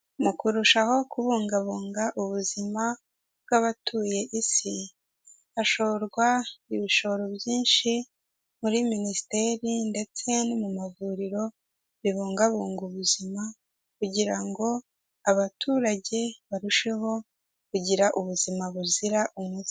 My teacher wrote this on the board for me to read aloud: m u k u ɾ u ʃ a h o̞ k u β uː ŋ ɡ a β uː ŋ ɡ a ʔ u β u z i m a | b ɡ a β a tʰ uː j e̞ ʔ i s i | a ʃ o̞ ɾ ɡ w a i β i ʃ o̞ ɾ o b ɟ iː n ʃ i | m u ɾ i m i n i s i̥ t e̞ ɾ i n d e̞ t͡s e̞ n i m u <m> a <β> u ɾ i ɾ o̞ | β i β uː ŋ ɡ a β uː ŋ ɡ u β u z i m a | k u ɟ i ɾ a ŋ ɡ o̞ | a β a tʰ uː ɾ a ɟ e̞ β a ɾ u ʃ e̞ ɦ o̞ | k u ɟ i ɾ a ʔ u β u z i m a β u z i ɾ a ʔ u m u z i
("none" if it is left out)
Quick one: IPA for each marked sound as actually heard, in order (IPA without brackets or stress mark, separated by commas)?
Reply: m, v